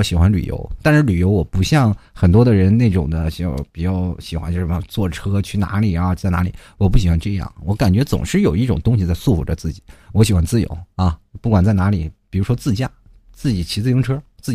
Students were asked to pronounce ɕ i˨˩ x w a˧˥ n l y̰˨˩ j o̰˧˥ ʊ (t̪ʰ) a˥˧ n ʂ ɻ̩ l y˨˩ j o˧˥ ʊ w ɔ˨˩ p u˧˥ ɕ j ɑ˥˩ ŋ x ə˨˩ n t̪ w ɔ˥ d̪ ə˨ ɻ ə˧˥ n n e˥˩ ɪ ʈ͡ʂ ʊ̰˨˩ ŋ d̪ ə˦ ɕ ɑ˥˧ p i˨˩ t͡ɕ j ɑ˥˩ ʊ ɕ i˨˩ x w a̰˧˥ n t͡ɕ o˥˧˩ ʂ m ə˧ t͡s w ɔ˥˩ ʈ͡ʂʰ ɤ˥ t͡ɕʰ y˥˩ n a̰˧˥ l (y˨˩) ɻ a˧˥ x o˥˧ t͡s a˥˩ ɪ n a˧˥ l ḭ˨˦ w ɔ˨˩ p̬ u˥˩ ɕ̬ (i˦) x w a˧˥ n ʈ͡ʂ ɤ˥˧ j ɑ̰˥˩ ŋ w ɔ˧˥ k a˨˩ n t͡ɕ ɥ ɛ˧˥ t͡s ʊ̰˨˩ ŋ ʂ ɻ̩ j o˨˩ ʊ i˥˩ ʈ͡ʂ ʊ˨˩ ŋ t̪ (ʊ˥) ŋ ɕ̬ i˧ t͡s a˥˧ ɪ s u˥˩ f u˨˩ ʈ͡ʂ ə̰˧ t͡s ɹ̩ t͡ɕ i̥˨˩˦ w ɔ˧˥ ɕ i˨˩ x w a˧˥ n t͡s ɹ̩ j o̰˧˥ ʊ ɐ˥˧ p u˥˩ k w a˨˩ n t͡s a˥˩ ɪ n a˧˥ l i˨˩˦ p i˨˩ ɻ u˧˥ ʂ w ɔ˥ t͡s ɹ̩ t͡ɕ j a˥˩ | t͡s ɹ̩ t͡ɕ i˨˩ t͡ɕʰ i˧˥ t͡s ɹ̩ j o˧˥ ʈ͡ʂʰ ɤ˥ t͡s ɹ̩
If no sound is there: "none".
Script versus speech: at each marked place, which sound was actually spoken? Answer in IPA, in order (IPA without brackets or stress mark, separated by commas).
t̪, i˨˩, i˨˩, ʊ˥